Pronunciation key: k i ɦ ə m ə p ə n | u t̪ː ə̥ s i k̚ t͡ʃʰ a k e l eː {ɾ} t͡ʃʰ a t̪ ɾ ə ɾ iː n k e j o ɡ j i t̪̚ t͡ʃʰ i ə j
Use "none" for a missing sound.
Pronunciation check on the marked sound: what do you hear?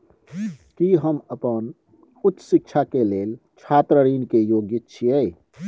l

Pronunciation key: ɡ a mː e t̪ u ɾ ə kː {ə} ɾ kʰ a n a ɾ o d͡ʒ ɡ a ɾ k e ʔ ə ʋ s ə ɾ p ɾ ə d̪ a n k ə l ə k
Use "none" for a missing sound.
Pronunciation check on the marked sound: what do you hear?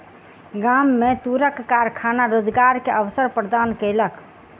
a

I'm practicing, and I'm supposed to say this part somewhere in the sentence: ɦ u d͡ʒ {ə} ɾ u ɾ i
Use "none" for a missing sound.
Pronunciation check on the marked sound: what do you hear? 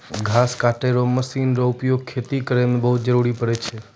ə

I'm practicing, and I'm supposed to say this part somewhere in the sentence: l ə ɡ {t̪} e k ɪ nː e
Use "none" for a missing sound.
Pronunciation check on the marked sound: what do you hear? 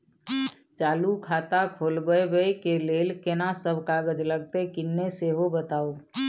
t̪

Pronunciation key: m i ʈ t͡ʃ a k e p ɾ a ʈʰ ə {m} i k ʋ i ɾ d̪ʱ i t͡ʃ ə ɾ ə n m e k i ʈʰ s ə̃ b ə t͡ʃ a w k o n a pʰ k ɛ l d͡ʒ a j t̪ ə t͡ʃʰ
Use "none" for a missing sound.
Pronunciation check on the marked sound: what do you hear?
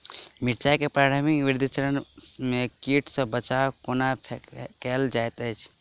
m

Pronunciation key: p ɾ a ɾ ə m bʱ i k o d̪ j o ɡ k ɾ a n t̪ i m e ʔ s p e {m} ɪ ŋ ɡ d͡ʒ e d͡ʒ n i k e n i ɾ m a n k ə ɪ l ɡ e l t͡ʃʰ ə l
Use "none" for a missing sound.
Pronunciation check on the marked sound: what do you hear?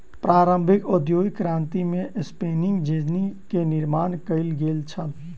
n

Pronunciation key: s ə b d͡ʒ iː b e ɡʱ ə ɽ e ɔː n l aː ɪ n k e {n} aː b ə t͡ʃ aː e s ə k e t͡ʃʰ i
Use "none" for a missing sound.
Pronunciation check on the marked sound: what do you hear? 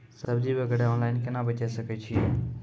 n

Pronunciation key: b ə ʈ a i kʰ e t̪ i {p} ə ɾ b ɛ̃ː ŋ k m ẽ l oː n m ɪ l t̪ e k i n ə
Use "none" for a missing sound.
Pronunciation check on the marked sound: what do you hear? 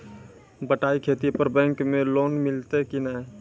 p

